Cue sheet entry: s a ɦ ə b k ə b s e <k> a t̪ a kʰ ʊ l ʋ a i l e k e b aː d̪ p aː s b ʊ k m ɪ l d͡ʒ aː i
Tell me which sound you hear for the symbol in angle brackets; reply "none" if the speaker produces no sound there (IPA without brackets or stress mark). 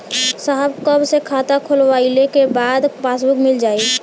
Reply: kʰ